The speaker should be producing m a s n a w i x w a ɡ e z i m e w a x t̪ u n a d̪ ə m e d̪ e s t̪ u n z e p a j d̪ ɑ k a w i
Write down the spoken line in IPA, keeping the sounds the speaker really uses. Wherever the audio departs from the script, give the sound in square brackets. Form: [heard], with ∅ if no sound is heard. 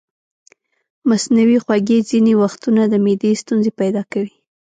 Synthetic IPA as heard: m a s n a w i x w a ɡ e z i [n] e w a x t̪ u n a d̪ ə m e d̪ e s t̪ u n z e p a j d̪ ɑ k a w i